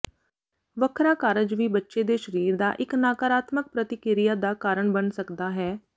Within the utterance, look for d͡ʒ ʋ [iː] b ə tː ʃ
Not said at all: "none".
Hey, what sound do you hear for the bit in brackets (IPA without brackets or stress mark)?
iː